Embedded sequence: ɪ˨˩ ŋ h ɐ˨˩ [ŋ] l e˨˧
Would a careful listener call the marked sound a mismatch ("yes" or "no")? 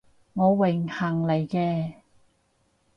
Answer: no